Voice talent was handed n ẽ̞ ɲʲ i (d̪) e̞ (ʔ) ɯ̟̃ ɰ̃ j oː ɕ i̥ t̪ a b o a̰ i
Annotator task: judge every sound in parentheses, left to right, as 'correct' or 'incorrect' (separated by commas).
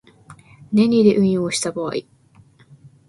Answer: correct, correct